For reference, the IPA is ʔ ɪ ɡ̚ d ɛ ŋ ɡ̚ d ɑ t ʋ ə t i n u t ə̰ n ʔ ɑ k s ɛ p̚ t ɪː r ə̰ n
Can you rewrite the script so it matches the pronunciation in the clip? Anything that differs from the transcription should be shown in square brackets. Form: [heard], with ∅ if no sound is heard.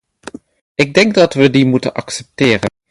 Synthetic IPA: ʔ ɪ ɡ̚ d ɛ ŋ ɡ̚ d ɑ t ʋ ə [d] i [m] u t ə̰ n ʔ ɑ k s ɛ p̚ t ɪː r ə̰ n